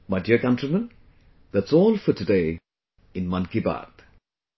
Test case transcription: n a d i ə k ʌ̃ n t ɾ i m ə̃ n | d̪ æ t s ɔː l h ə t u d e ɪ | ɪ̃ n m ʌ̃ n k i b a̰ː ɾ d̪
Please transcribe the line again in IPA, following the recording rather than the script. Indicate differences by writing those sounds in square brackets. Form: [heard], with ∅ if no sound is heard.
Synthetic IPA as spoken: [m] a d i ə k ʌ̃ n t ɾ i m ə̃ n | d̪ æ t s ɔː l [f] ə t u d e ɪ | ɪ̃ n m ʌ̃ n k i b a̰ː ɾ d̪